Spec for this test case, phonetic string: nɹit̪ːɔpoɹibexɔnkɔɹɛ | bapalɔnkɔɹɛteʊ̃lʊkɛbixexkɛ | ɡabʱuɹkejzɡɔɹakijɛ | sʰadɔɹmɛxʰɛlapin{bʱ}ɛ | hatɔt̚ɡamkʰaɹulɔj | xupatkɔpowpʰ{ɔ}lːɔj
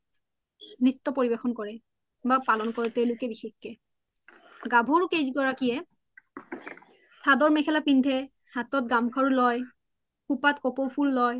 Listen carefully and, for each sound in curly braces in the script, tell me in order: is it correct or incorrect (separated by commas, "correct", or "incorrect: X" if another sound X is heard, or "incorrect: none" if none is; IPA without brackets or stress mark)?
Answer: incorrect: dʱ, incorrect: u